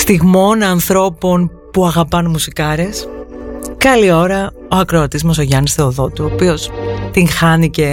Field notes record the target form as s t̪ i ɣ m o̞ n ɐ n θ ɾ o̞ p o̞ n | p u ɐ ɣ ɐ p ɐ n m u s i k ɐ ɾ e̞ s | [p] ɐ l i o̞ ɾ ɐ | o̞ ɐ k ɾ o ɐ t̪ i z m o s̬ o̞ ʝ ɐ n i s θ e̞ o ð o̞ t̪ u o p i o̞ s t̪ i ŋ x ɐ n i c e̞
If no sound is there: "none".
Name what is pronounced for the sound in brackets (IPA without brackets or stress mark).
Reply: k